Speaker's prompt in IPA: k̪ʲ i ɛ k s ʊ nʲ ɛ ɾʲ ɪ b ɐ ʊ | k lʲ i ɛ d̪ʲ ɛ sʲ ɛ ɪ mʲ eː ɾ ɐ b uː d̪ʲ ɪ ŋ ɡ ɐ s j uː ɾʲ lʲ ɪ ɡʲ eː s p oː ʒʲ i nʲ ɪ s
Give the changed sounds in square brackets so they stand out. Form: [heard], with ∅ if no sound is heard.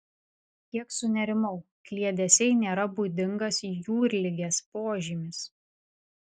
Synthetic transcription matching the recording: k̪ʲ i ɛ k s ʊ nʲ ɛ ɾʲ ɪ [m] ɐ ʊ | k lʲ i ɛ d̪ʲ ɛ sʲ ɛ ɪ [nʲ] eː ɾ ɐ b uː d̪ʲ ɪ ŋ ɡ ɐ s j uː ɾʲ lʲ ɪ ɡʲ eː s p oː ʒʲ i [mʲ] ɪ s